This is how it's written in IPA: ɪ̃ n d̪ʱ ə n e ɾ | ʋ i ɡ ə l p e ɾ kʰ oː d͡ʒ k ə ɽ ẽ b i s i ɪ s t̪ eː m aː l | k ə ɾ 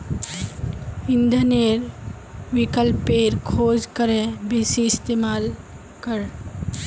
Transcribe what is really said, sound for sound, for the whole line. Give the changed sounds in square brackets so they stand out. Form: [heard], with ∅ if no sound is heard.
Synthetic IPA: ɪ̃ n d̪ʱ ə n e ɾ | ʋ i [k] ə l p e ɾ kʰ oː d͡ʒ k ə [ɾ] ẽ b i s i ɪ s t̪ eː m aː l | k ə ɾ